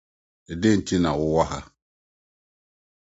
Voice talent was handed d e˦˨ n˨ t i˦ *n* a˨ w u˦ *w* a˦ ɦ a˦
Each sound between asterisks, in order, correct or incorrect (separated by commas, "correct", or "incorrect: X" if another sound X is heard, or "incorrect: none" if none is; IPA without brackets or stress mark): correct, correct